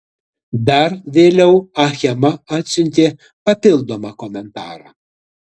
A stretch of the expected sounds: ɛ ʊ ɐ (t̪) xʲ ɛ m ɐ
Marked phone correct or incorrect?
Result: incorrect